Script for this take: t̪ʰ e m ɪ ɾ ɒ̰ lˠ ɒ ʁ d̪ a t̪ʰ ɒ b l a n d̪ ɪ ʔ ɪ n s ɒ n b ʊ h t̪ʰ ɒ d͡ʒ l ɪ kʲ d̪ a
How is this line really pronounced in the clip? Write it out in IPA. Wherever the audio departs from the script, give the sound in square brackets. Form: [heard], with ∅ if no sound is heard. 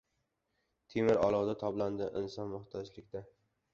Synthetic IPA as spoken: t̪ʰ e m ɪ ɾ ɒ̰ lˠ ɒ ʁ d̪ a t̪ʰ ɒ b l a n d̪ ɪ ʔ ɪ n s ɒ n [m] ʊ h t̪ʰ ɒ d͡ʒ l ɪ kʲ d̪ a